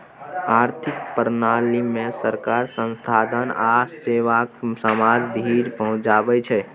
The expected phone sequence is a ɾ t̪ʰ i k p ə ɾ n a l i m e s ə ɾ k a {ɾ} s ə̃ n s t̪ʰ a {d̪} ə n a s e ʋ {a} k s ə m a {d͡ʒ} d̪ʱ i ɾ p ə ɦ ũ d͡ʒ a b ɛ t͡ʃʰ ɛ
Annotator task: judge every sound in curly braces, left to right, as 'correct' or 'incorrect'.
correct, correct, correct, correct

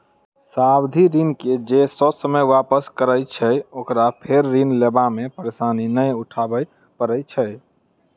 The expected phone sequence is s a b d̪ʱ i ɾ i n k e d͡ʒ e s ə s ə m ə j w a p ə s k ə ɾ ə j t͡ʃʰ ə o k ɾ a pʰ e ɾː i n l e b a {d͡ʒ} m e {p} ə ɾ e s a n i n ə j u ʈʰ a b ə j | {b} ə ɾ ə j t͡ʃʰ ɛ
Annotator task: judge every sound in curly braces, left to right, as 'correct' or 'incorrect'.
incorrect, correct, incorrect

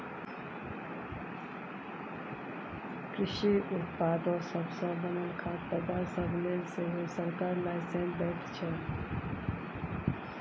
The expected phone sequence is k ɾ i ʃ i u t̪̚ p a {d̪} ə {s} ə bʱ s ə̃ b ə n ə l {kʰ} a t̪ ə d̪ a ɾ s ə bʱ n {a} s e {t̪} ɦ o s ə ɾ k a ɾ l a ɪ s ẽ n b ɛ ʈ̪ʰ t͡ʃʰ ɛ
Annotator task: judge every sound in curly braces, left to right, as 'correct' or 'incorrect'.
correct, correct, correct, incorrect, incorrect

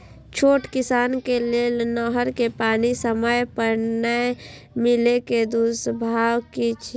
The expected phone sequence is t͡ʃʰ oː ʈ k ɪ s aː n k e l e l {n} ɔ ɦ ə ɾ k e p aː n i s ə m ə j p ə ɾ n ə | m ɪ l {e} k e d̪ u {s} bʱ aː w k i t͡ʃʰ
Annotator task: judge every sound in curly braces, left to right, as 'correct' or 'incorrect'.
correct, correct, correct

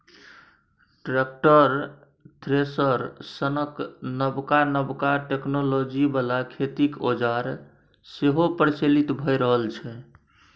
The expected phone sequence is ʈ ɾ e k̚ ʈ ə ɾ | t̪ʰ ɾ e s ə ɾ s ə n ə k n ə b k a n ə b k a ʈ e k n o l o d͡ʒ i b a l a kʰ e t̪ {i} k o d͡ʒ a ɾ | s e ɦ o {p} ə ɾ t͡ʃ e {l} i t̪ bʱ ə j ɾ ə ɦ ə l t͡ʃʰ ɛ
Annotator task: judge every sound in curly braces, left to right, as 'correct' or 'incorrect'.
correct, correct, correct

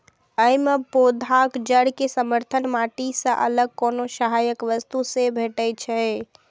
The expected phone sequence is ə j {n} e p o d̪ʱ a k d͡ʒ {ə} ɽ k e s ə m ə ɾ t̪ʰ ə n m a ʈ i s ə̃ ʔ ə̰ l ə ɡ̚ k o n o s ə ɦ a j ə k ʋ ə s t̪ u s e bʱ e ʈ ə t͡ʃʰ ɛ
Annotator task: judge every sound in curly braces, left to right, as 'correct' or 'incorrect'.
incorrect, correct

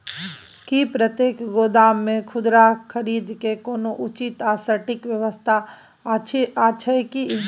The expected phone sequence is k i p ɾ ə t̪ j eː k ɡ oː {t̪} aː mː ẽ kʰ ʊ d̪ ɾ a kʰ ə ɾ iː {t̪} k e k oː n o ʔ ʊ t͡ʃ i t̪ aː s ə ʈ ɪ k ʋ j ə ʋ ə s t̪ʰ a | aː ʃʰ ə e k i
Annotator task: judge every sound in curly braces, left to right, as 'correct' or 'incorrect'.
incorrect, incorrect

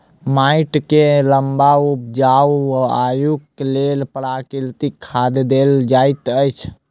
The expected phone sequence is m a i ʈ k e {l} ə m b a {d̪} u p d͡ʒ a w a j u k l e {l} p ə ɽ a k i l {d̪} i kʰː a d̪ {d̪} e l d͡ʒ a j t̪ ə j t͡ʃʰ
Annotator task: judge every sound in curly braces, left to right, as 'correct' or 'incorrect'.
correct, incorrect, correct, incorrect, correct

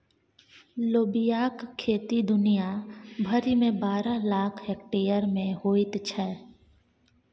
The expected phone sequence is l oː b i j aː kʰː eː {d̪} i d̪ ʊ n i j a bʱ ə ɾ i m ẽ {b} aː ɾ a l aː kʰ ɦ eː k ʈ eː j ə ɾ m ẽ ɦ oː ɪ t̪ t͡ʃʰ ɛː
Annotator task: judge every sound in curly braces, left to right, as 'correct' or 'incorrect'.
incorrect, correct

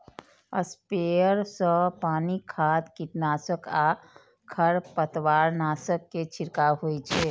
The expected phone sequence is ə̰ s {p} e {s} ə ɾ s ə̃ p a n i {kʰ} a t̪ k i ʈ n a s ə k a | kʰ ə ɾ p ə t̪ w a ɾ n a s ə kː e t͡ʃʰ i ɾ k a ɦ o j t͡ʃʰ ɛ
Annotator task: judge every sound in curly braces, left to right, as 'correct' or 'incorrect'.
correct, incorrect, correct

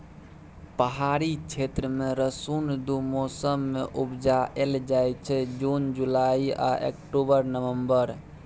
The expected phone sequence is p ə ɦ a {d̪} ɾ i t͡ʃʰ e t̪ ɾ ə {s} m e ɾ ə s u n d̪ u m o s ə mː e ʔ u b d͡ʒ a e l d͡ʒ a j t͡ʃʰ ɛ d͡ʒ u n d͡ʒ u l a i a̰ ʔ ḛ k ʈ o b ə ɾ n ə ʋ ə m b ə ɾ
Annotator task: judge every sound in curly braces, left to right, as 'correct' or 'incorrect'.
incorrect, incorrect

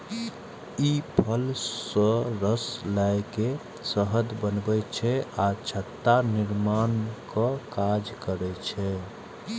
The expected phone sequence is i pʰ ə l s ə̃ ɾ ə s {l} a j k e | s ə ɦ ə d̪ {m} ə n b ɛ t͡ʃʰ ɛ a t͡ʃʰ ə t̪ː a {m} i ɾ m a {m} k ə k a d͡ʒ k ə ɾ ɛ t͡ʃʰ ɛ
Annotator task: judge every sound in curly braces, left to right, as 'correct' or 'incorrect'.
correct, incorrect, incorrect, incorrect

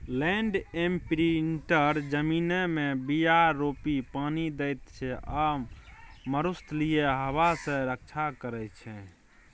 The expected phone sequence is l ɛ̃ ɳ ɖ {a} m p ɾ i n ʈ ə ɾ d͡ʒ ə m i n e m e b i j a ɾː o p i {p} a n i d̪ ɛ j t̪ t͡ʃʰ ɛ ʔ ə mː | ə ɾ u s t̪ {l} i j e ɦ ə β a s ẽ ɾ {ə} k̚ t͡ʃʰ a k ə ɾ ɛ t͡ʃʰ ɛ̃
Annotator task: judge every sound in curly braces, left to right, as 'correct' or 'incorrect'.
incorrect, correct, correct, correct

